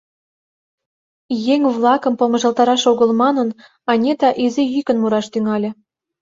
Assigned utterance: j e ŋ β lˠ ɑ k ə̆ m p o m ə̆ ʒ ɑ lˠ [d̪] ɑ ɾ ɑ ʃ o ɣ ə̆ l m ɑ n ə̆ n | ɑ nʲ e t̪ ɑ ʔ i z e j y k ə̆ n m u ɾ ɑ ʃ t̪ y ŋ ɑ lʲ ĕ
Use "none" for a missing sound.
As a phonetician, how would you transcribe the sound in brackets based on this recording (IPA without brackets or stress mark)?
t̪